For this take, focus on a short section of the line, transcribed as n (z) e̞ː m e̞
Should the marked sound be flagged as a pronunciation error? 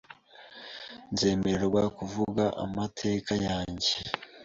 no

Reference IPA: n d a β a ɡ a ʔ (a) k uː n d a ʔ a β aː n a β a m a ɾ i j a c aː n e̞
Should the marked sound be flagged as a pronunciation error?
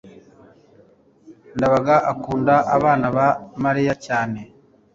no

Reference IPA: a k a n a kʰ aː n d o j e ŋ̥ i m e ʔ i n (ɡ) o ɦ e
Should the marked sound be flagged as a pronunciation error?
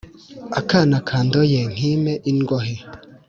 no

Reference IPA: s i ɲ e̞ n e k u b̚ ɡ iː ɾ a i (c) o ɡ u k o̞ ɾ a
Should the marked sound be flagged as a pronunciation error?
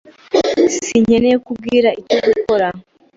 no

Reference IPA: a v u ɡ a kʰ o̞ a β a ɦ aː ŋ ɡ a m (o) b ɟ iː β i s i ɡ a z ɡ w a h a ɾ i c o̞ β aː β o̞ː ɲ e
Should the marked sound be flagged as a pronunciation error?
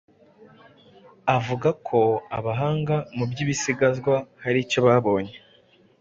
yes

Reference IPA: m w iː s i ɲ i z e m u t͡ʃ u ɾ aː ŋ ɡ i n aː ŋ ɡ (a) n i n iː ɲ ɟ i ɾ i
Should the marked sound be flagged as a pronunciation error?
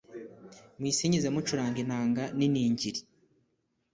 no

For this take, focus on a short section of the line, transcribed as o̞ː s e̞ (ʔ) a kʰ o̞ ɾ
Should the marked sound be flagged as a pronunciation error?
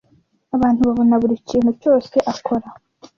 no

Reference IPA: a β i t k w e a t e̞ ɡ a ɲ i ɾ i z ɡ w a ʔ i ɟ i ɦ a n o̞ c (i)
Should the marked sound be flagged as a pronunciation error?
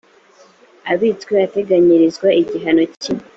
no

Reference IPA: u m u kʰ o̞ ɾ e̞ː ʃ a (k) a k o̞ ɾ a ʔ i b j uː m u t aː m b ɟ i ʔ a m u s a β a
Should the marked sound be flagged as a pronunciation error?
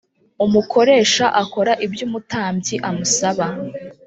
yes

